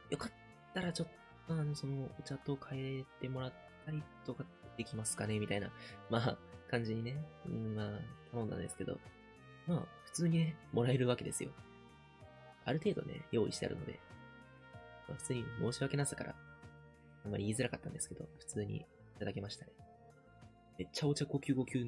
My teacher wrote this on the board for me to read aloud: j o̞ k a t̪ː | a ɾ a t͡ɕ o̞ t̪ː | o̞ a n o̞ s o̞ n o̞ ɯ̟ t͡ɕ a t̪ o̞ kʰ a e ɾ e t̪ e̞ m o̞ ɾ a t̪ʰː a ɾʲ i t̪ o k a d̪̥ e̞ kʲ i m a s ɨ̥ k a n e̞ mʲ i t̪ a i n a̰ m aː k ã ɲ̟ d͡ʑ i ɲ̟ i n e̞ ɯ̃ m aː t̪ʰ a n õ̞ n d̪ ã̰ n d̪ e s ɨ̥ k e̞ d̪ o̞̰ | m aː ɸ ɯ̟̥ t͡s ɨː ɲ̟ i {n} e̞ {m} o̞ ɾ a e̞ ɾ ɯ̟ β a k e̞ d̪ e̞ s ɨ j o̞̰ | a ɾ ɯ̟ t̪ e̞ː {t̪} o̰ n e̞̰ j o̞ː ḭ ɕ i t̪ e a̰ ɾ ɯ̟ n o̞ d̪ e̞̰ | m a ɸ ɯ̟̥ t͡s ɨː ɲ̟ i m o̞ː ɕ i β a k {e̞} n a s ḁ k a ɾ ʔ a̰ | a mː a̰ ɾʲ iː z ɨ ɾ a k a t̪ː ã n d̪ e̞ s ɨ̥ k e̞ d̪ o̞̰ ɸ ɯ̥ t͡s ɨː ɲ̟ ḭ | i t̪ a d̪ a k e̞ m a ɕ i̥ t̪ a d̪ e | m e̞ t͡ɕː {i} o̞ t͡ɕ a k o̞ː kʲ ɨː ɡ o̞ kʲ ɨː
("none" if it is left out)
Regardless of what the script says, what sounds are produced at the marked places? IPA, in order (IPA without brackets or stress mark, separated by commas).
n, m, d̪, e̞, a